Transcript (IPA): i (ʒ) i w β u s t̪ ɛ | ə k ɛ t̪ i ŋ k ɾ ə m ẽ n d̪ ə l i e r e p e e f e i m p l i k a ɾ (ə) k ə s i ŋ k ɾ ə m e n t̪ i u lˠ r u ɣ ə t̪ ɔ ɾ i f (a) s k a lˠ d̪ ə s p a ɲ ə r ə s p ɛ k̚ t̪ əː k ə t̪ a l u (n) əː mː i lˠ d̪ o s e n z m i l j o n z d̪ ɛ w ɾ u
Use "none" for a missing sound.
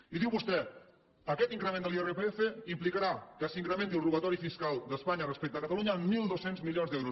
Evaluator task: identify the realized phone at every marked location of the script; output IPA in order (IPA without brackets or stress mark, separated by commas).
ð, a, i, ɲ